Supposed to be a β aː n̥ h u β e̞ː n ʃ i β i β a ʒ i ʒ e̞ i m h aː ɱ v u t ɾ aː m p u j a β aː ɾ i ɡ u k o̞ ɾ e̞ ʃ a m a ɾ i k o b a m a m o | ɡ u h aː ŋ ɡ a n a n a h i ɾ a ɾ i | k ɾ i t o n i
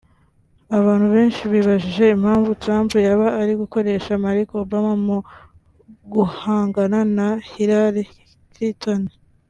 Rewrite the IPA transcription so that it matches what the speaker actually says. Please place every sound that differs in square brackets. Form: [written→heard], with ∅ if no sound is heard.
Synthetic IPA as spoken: a β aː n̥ h u β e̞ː n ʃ i β i β a ʒ i ʒ e̞ i m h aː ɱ v u t ɾ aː m p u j a β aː ɾ i ɡ u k o̞ ɾ e̞ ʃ a m a ɾ i k o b a m a m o | ɡ u h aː ŋ ɡ a n a n a h i ɾ a ɾ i | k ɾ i t o n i